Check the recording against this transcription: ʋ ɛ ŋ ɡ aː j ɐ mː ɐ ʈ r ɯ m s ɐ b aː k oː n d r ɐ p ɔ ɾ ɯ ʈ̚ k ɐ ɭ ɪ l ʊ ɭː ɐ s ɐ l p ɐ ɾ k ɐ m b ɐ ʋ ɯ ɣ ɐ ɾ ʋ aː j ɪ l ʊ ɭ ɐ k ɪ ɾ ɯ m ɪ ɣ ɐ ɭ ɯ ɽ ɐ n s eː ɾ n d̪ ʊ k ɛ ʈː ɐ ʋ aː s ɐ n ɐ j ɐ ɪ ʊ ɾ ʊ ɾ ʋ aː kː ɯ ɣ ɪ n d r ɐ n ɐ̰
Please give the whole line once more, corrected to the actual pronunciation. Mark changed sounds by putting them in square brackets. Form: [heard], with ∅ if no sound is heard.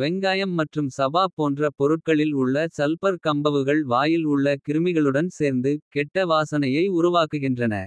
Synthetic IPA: ʋ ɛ ŋ ɡ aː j ɐ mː ɐ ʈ r ɯ m s ɐ b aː [p] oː n d r ɐ p ɔ ɾ ɯ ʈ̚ k ɐ ɭ ɪ l ʊ ɭː ɐ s ɐ l p ɐ ɾ k ɐ m b ɐ ʋ ɯ ɣ ɐ [ɭ] ʋ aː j ɪ l ʊ [ɭː] ɐ k ɪ ɾ ɯ m ɪ ɣ ɐ ɭ ɯ ɽ ɐ n s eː ɾ n d̪ [ɯ] k ɛ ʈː ɐ ʋ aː s ɐ n ɐ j ɐ ɪ ʊ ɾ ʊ [∅] ʋ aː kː ɯ ɣ ɪ n d r ɐ n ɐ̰